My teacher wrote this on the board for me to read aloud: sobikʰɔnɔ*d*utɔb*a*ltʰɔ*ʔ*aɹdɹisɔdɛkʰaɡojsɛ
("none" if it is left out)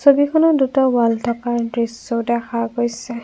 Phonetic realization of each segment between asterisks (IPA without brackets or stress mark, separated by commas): d, a, k